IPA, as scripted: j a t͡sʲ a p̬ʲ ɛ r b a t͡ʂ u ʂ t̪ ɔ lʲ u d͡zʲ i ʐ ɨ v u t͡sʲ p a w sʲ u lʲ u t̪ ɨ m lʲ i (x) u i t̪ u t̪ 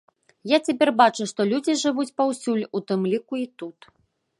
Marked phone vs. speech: incorrect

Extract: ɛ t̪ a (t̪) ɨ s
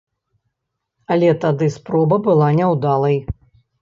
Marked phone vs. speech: incorrect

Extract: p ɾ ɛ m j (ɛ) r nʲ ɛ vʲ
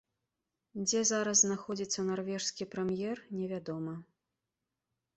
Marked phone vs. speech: correct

